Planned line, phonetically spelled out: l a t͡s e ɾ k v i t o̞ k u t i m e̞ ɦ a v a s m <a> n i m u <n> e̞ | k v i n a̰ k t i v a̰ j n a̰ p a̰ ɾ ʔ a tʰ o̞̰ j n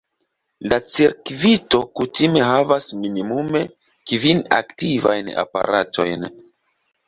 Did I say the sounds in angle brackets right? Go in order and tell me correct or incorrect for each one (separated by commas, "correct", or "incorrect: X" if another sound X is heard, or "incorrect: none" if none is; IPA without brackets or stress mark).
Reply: incorrect: i, incorrect: m